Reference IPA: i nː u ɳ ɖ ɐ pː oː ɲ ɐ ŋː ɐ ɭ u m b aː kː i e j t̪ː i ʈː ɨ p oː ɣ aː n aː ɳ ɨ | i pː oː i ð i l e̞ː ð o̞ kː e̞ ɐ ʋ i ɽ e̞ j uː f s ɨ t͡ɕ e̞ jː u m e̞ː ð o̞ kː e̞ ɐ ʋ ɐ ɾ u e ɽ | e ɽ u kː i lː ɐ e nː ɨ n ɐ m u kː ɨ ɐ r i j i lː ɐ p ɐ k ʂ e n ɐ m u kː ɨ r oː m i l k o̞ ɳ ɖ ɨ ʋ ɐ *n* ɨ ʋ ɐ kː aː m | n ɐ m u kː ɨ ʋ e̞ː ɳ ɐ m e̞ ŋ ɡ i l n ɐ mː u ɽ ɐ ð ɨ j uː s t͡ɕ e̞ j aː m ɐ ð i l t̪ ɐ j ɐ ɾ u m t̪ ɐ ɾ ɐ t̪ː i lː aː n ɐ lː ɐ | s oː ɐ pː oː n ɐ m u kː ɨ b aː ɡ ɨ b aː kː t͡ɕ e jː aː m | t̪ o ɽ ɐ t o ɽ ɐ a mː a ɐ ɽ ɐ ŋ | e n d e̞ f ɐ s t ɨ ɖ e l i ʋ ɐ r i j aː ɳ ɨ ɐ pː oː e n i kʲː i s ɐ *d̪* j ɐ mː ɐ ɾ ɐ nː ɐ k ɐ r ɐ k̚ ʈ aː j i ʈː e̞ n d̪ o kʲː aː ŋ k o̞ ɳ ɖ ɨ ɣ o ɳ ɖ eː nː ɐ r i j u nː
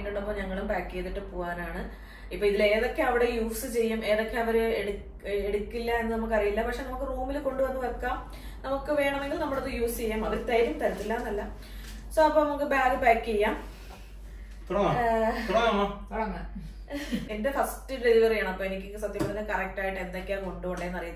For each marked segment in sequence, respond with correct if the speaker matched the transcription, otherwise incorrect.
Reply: incorrect, incorrect

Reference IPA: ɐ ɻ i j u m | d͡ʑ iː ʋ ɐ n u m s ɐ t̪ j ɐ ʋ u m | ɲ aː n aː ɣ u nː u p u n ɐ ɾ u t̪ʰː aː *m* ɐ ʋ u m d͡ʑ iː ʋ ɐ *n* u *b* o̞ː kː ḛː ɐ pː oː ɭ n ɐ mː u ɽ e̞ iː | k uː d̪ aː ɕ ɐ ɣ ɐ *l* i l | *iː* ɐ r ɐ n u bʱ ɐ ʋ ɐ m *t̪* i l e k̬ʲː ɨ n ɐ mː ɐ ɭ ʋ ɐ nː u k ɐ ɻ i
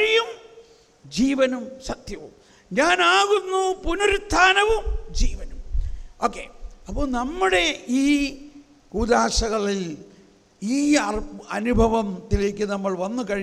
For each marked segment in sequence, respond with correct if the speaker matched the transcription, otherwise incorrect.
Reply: incorrect, correct, incorrect, incorrect, correct, correct

